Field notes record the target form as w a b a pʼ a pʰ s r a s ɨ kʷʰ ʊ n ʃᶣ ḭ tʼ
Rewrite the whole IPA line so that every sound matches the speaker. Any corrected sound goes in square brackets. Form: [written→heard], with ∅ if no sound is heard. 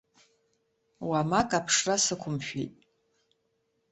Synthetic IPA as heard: w a [b→m] a [pʼ→kʼ] a pʰ [s→ʂ] r a s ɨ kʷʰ ʊ [n→m] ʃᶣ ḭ tʼ

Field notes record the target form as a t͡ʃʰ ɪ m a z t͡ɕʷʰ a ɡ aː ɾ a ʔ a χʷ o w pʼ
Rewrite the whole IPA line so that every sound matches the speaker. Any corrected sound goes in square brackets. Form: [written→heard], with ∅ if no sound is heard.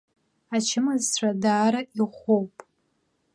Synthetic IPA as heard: a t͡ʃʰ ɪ m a z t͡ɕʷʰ a [ɡ→d] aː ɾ a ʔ [a→i] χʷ o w pʼ

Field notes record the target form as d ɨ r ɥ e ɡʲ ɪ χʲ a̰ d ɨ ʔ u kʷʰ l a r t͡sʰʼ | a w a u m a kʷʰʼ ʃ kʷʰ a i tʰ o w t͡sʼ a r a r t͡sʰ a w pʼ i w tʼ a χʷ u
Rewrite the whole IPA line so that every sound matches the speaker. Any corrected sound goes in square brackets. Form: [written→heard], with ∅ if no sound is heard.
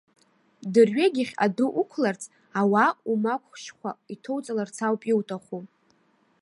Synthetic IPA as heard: d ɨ r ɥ e ɡʲ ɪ χʲ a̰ d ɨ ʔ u kʷʰ l a r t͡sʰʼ | a w a u m a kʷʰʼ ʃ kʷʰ a i tʰ o w t͡sʼ a [r→l] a r t͡sʰ a w pʼ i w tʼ a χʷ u

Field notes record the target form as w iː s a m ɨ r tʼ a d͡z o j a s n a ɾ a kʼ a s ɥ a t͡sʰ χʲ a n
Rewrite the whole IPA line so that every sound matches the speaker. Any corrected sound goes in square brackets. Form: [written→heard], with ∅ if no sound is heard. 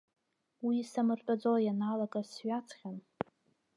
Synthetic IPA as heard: w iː s a m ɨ r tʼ a d͡z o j a [s→∅] n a [ɾ→l] a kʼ a s ɥ a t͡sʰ χʲ a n

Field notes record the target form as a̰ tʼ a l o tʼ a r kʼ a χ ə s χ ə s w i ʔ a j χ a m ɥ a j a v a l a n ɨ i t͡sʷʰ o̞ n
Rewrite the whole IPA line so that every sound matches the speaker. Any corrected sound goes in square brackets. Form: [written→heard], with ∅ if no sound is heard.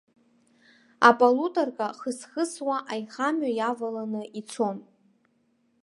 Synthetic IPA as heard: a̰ [tʼ→pʼ] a l [o→u] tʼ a r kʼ a χ ə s χ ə s w [i→a] ʔ a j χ a m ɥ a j a v a l a n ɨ i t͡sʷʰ o̞ n

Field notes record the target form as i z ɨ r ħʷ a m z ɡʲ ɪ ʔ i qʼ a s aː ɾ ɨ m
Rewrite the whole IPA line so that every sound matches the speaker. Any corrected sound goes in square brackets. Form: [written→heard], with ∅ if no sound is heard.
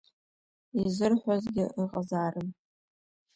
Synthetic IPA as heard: i z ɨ r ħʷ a [m→∅] z ɡʲ ɪ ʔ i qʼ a [s→z] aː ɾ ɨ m

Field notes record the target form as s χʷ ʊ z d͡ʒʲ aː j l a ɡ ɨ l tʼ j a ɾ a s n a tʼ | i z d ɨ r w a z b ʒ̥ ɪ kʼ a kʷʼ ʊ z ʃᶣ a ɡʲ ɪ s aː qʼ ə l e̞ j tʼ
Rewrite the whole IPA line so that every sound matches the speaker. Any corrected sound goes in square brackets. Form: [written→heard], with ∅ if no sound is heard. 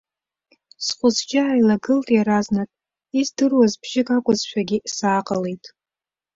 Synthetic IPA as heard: s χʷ ʊ z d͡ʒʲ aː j l a ɡ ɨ l tʼ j a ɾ a [s→z] n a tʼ | i z d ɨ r w a z b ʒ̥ ɪ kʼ a kʷʼ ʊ z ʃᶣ a ɡʲ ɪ s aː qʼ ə l e̞ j tʼ

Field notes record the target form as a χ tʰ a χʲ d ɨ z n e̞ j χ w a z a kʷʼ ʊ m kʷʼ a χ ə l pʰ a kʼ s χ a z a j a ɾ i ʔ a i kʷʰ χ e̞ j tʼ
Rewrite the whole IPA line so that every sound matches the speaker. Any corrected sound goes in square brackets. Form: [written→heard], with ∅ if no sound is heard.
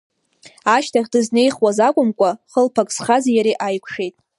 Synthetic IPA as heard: a [χ→ʃ] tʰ a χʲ d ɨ z n e̞ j χ w a z a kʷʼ ʊ m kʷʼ a χ ə l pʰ a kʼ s χ a z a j a ɾ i ʔ a [i→j] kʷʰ [χ→ʂ] e̞ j tʼ

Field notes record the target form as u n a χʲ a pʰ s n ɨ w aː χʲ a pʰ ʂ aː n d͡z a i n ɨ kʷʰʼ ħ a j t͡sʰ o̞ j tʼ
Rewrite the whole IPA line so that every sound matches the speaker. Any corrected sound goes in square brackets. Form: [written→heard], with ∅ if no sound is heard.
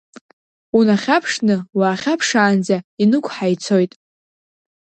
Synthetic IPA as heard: u n a χʲ a pʰ [s→ʂ] n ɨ w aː χʲ a pʰ ʂ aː n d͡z a i n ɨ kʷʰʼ ħ a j t͡sʰ o̞ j tʼ

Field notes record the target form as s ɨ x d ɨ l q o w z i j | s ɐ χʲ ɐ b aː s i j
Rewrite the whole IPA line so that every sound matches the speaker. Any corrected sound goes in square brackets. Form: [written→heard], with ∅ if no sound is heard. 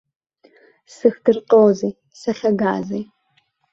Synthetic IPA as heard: s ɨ x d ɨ [l→r] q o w z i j | s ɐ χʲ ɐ [b→ɡ] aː [s→z] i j

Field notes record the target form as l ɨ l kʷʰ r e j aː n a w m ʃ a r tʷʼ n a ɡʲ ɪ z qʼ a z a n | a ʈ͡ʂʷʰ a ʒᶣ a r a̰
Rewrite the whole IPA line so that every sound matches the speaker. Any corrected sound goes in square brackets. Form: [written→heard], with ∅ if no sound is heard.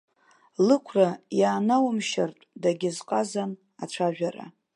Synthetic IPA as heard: l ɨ [l→∅] kʷʰ r [e→a] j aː n a w m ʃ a r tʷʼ [n→d] a ɡʲ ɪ z qʼ a z a n | a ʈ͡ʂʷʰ a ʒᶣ a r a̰

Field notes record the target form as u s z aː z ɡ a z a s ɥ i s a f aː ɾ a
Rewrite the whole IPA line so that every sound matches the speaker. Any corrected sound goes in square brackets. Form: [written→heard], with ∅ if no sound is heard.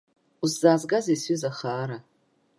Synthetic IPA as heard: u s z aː z ɡ a z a s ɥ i [s→z] a [f→χ] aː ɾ a

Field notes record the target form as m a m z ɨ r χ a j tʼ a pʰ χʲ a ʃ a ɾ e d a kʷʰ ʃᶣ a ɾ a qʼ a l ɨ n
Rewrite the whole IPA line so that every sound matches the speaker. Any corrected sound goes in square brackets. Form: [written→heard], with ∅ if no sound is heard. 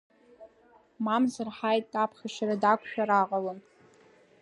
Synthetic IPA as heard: m a m z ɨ r [χ→ħ] a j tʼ a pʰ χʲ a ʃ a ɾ [e→a] d a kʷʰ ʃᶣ a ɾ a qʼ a l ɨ n

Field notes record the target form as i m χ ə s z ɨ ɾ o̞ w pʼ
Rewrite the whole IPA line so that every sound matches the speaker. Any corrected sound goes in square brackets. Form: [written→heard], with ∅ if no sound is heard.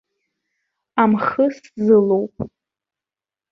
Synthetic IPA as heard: [i→a] m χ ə s z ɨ [ɾ→l] o̞ w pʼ

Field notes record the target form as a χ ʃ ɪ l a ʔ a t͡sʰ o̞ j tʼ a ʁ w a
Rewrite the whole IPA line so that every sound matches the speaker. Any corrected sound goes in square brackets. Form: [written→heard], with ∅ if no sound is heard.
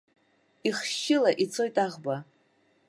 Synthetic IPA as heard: [a→i] χ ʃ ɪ l a ʔ [a→i] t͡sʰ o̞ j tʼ a ʁ [w→b] a

